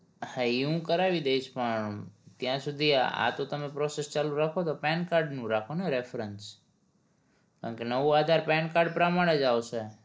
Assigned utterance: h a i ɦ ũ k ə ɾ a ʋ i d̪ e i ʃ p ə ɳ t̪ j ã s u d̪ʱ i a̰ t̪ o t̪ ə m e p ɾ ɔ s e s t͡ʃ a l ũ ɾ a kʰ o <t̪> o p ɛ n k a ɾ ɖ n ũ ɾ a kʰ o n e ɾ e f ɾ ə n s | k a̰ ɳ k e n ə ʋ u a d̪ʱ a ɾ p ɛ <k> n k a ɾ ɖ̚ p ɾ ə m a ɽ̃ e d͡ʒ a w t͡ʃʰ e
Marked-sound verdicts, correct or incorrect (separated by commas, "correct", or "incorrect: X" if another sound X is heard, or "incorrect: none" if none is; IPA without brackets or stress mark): correct, incorrect: none